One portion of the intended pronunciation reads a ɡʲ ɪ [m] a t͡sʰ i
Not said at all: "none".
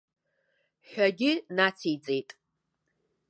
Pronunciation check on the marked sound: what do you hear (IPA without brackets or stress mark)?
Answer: n